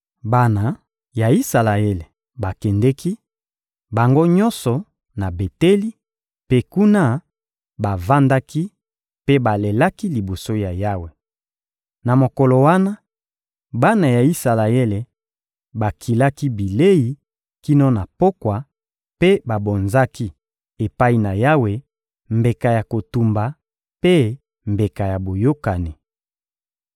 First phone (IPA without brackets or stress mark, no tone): b